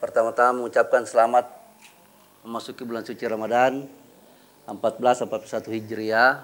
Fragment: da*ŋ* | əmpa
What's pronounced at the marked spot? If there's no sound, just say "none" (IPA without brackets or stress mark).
n